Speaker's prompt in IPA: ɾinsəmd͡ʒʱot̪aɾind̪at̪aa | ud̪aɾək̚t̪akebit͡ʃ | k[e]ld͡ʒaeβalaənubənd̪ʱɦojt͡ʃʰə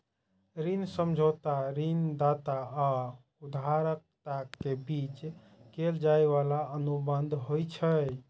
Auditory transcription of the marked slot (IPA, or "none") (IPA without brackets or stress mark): e